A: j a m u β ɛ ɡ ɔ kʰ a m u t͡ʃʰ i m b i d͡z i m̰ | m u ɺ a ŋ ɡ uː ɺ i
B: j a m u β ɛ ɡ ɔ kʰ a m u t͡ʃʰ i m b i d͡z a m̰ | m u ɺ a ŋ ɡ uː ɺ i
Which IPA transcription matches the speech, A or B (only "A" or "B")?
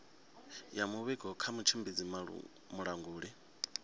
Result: A